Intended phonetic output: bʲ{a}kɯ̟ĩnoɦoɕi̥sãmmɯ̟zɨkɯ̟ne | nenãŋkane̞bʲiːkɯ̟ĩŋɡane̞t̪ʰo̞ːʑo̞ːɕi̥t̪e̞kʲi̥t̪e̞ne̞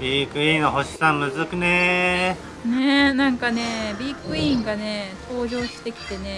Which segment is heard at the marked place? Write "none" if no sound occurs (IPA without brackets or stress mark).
i